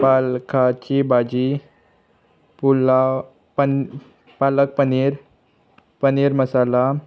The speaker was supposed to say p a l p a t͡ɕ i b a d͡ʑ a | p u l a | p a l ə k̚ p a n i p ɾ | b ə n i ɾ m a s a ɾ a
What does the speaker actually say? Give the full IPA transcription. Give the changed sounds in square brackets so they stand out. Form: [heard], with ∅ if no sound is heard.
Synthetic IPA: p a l [k] a t͡ɕ i b a d͡ʑ [i] | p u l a | p a l ə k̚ p [ə] n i [∅] ɾ | [p] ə n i ɾ m [ə] s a [l] a